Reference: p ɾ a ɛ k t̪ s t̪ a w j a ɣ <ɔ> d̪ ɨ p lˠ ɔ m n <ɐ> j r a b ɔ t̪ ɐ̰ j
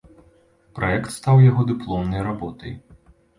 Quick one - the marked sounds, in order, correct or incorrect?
correct, correct

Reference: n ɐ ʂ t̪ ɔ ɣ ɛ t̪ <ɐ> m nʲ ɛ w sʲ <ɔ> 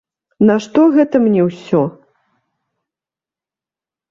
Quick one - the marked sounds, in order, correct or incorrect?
correct, correct

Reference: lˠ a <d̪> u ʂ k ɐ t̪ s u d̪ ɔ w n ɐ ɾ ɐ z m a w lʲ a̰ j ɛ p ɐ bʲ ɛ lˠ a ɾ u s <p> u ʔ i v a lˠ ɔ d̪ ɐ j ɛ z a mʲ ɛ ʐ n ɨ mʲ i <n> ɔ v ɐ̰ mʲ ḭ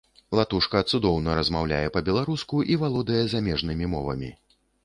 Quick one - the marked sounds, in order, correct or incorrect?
incorrect: t̪, incorrect: k, incorrect: m

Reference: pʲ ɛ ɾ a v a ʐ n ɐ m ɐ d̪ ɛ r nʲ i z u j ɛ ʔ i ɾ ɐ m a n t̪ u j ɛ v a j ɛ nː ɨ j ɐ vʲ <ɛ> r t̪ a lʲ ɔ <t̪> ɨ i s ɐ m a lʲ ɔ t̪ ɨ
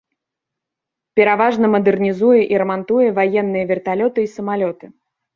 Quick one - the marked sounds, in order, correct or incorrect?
correct, correct

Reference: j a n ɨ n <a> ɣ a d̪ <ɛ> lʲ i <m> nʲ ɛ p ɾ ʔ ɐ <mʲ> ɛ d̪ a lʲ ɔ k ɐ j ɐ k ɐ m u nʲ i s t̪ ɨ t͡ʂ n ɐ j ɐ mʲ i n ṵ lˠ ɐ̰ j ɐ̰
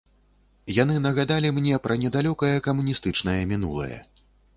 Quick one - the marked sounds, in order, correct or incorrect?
incorrect: ɐ, incorrect: a, correct, incorrect: nʲ

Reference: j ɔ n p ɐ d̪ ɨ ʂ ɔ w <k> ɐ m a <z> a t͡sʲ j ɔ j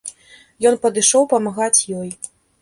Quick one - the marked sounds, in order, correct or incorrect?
incorrect: p, incorrect: ɣ

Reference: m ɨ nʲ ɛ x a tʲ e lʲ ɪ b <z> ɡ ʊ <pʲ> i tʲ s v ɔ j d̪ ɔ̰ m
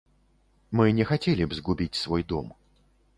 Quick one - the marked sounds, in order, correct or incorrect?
correct, incorrect: bʲ

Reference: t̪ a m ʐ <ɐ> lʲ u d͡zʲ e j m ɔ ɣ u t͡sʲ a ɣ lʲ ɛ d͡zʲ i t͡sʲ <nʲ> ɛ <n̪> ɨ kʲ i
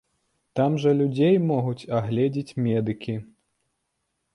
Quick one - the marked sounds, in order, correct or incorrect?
correct, incorrect: mʲ, incorrect: d̪

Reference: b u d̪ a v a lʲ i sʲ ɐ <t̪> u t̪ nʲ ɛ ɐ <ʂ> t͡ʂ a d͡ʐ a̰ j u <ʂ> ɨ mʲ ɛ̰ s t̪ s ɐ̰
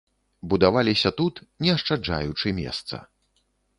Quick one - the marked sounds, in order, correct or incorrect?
correct, correct, incorrect: t͡ʂ

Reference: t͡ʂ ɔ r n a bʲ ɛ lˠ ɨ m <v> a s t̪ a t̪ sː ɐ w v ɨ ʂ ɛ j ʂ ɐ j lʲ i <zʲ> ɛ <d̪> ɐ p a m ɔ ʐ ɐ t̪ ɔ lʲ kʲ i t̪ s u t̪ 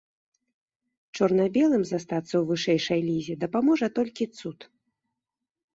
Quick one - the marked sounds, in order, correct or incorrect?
incorrect: z, correct, correct

